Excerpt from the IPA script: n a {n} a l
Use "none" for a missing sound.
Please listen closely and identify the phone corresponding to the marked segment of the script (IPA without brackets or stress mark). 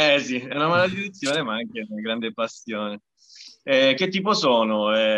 m